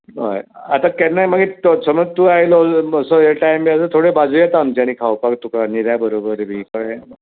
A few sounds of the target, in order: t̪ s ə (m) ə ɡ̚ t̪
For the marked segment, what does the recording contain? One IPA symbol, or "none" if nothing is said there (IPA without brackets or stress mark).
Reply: m